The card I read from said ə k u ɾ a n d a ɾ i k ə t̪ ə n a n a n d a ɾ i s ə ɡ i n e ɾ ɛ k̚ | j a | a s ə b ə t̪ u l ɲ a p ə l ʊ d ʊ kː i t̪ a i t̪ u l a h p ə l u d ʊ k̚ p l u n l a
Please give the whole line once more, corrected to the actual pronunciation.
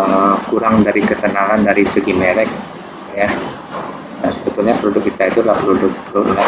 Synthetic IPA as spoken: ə k u ɾ a ŋ d a ɾ i k ə t̪ ə n a ŋ a n d a ɾ i s ə ɡ i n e ɾ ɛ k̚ | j a | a s ə b ə t̪ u l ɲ a p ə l u d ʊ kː i t̪ a i t̪ u l a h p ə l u d ʊ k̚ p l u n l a